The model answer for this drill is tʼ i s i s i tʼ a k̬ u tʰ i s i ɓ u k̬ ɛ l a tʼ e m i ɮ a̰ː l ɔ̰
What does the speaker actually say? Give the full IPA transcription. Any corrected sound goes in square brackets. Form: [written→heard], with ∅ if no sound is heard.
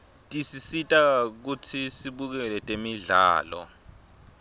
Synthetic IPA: tʼ i s i s i tʼ a k̬ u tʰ i s i ɓ u k̬ ɛ l [a→ɛ] tʼ e m i ɮ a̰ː l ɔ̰